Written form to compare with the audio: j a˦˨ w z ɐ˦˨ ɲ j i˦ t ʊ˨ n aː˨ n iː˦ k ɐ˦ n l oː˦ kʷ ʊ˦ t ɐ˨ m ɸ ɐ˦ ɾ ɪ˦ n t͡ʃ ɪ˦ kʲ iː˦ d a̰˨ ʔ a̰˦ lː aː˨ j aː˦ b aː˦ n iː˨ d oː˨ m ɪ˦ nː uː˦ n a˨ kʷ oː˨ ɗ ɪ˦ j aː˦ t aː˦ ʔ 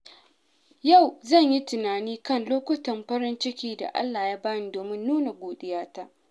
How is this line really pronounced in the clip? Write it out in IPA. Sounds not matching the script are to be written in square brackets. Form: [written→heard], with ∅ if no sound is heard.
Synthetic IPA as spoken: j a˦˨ w z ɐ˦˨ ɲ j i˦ t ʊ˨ n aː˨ n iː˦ k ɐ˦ n l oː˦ kʷ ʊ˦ t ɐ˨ m ɸ ɐ˦ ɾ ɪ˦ n t͡ʃ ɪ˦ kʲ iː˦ d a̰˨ ʔ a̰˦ lː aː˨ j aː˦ b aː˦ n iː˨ d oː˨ m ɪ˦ nː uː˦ n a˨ [kʷ→ɡʷ] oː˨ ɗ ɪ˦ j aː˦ t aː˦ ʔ